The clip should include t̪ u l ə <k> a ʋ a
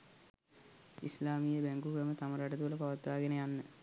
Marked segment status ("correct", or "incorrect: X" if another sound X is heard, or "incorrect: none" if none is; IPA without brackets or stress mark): incorrect: p